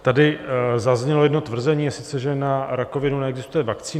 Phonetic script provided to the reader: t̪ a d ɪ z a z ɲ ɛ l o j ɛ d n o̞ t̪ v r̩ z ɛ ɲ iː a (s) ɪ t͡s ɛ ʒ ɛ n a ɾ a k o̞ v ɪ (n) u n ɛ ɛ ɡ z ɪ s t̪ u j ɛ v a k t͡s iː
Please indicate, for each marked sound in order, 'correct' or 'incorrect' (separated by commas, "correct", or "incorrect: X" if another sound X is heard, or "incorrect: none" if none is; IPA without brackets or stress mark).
correct, correct